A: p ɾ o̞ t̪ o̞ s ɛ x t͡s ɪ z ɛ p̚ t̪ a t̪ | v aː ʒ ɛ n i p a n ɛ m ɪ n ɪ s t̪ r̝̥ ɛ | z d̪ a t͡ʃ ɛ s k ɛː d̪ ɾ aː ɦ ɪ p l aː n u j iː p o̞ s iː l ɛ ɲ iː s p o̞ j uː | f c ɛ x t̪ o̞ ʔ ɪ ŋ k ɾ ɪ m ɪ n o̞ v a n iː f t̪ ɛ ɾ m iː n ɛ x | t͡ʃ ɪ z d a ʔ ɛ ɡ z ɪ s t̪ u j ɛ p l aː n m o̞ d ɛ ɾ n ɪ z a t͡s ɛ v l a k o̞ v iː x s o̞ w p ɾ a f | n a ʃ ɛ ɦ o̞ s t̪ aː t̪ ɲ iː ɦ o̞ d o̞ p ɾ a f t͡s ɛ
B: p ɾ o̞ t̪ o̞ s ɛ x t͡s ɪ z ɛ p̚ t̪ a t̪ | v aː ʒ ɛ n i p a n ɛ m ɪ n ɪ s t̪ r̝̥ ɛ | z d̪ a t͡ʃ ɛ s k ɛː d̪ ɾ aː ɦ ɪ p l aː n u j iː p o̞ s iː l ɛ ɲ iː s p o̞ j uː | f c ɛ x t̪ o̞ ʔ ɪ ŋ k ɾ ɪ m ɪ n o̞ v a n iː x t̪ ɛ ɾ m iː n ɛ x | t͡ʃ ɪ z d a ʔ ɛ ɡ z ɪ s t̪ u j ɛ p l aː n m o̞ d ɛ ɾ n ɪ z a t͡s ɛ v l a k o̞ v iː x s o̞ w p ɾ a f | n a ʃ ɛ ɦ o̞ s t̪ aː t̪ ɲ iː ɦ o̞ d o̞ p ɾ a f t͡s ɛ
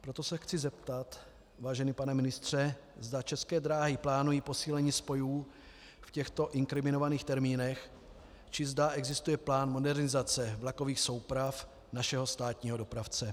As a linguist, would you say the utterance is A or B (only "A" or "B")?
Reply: B